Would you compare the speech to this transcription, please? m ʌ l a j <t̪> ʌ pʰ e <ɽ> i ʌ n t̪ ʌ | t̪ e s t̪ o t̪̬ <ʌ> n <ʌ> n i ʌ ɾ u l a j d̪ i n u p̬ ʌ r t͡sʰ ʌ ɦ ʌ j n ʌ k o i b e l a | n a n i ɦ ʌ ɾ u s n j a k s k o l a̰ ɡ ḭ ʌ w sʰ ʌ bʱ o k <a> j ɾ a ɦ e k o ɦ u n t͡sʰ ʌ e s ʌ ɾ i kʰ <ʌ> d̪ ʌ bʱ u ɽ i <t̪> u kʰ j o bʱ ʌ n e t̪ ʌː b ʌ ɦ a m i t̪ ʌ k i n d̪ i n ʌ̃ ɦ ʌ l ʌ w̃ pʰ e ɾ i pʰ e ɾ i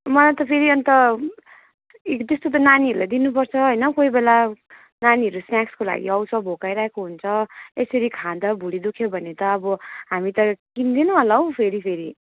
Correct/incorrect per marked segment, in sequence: correct, incorrect: ɾ, correct, incorrect: a, correct, incorrect: a, incorrect: d̪

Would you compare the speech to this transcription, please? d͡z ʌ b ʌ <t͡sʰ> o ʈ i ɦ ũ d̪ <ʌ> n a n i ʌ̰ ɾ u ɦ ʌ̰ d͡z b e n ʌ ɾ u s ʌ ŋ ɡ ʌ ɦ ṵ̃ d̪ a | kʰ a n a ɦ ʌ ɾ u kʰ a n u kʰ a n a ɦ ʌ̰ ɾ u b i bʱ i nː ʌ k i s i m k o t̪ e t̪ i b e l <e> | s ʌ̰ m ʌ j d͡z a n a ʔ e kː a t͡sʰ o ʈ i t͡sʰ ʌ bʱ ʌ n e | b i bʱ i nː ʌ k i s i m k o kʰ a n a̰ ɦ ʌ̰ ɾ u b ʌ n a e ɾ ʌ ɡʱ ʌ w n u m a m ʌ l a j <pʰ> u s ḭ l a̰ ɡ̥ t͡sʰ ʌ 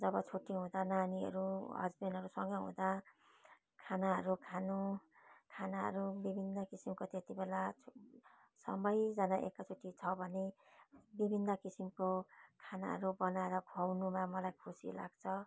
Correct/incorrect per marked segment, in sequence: correct, incorrect: a, incorrect: a, incorrect: kʰ

